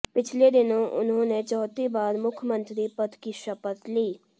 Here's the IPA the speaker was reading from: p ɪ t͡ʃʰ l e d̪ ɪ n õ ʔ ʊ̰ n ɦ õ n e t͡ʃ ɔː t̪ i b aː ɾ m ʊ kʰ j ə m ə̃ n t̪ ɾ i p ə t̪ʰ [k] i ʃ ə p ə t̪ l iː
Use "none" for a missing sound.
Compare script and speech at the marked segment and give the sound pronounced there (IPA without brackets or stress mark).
k